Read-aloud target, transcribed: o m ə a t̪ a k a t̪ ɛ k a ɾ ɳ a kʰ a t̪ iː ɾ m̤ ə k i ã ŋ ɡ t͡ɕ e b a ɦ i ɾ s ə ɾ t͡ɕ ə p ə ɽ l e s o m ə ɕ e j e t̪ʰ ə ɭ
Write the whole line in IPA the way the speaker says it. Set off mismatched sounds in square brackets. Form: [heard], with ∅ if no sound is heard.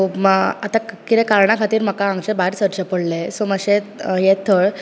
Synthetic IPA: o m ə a t̪ a k [i] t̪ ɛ k a ɾ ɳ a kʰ a t̪ iː ɾ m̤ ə k [a] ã ŋ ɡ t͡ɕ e b a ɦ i ɾ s ə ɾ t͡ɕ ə p ə ɽ l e s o m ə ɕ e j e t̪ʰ ə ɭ